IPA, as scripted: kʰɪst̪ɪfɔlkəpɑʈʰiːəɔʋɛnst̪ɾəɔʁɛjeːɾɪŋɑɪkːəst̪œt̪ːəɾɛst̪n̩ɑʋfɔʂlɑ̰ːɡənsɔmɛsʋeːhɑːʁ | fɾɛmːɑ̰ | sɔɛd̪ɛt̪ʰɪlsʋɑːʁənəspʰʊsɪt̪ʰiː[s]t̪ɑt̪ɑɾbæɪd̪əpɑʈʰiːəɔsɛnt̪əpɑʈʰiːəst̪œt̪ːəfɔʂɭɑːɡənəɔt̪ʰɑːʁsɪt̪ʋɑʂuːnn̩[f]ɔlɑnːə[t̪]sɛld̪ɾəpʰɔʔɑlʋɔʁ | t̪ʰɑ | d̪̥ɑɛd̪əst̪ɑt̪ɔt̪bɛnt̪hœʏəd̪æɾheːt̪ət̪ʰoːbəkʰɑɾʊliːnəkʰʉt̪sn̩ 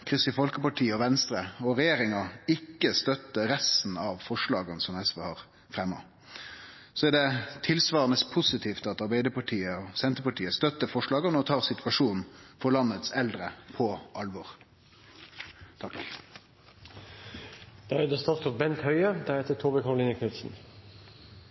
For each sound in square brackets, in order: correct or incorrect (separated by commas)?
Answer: incorrect, correct, correct